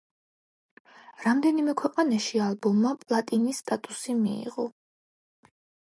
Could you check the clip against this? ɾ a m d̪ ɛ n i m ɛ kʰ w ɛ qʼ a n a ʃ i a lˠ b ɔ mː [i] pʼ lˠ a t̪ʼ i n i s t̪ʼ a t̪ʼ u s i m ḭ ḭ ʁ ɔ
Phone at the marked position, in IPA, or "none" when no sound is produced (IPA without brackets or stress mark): a